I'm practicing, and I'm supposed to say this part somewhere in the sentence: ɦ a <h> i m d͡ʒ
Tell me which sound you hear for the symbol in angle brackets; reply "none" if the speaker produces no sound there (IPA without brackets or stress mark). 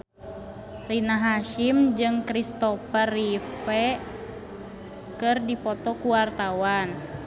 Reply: ʃ